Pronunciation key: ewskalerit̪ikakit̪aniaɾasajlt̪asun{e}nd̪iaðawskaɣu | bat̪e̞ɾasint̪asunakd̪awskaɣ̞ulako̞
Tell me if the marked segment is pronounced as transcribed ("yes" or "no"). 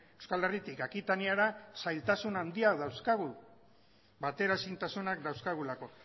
no